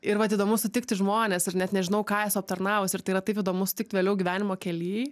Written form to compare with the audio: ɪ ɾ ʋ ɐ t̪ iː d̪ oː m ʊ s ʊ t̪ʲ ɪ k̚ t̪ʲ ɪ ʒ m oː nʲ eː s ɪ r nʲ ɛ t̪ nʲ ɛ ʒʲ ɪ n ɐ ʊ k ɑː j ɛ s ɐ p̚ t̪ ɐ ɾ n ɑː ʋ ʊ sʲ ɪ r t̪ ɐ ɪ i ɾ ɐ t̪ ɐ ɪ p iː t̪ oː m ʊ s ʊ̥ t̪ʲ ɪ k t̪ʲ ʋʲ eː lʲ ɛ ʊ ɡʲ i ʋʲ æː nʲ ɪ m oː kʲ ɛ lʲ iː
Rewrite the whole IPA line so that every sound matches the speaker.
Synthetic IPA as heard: ɪ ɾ ʋ ɐ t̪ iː d̪ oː m ʊ s ʊ t̪ʲ ɪ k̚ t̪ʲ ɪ ʒ m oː nʲ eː s ɪ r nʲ ɛ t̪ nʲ ɛ ʒʲ ɪ n ɐ ʊ k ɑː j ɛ s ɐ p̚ t̪ ɐ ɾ n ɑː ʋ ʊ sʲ ɪ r t̪ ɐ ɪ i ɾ ɐ t̪ ɐ ɪ p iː d̪ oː m ʊ s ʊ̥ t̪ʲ ɪ k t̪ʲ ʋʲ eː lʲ ɛ ʊ ɡʲ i ʋʲ æː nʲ ɪ m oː kʲ ɛ lʲ iː